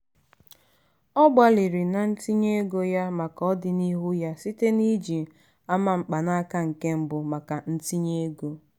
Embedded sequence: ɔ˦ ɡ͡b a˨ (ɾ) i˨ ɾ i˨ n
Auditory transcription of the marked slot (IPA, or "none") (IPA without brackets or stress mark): l